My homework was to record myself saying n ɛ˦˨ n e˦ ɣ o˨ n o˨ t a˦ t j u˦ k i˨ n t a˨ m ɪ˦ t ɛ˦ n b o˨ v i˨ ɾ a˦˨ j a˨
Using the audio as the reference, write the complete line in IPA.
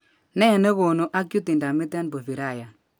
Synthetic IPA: n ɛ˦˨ n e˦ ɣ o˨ n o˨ ʔ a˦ k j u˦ t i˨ n d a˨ m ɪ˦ t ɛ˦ n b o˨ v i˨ ɾ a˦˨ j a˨